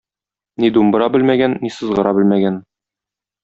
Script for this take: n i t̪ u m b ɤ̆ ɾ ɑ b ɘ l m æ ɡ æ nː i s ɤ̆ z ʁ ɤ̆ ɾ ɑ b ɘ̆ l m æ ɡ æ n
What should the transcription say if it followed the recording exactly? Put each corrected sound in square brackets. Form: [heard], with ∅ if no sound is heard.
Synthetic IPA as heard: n i [d̪] u m b ɤ̆ ɾ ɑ b ɘ l m æ ɡ æ nː i s ɤ̆ z ʁ ɤ̆ ɾ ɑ b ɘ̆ l m æ ɡ æ n

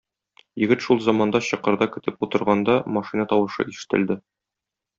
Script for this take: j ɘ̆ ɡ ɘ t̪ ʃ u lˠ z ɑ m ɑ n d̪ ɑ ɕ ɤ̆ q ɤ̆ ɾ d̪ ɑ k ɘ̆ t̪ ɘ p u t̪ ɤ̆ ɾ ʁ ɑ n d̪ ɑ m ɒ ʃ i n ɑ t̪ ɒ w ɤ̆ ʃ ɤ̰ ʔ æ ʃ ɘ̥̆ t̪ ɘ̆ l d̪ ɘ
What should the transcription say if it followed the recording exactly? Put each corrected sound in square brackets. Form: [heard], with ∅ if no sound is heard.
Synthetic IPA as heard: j ɘ̆ ɡ ɘ t̪ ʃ u lˠ z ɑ m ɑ n d̪ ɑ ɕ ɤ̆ q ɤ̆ ɾ d̪ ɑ k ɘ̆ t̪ ɘ p u t̪ ɤ̆ ɾ ʁ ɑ n d̪ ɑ m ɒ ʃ i n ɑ t̪ ɒ w ɤ̆ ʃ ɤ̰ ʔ [i] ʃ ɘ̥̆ t̪ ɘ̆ l d̪ ɘ

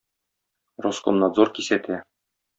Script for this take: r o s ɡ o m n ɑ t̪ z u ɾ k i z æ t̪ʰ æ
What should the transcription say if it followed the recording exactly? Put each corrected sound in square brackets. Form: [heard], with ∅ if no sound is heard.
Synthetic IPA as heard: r o s [k] o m n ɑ [d̪] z [o] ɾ k i [s] æ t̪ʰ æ

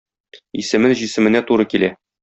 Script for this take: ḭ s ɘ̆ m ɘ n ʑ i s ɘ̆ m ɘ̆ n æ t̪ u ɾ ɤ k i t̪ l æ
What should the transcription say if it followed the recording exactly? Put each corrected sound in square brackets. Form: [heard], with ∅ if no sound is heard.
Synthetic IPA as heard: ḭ s ɘ̆ m ɘ n ʑ i s ɘ̆ m ɘ̆ n æ t̪ u ɾ ɤ k i [∅] l æ

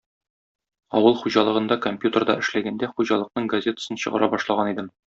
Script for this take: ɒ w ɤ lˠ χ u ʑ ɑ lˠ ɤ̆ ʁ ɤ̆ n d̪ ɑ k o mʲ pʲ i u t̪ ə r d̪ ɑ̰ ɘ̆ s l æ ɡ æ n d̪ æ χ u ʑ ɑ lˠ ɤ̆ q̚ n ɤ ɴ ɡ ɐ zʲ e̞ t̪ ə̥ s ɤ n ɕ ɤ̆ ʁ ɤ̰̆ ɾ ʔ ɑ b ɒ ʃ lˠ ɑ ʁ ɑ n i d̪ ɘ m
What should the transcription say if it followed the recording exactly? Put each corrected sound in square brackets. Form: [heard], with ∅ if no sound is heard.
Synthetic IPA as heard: ɒ w ɤ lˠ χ u ʑ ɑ lˠ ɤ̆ ʁ ɤ̆ n d̪ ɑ k o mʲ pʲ [j] u t̪ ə r d̪ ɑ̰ ɘ̆ [ʃ] l æ ɡ æ n d̪ æ χ u ʑ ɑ lˠ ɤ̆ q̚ n ɤ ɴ ɡ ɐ zʲ e̞ t̪ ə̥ s ɤ n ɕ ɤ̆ ʁ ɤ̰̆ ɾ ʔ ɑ b ɒ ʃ lˠ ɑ ʁ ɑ n i d̪ ɘ m

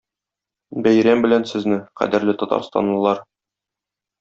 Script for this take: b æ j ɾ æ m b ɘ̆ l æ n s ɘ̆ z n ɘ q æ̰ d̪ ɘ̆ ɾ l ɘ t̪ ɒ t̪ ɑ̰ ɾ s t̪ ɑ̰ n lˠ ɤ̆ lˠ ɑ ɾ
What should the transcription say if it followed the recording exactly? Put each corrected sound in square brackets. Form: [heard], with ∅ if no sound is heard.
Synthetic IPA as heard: b æ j ɾ æ m b ɘ̆ l æ n s ɘ̆ z n ɘ q æ̰ d̪ ɘ̆ ɾ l ɘ t̪ ɒ t̪ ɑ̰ ɾ s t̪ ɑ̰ n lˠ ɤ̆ lˠ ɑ ɾ

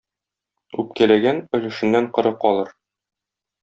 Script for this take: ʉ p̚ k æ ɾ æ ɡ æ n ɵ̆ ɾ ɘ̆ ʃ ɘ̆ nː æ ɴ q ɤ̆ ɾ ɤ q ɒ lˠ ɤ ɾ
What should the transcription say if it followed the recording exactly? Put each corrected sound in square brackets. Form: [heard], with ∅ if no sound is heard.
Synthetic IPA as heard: ʉ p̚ k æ [l] æ ɡ æ n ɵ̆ [l] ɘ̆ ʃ ɘ̆ nː æ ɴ q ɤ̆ ɾ ɤ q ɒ lˠ ɤ ɾ

